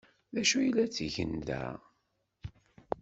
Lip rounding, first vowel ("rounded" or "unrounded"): unrounded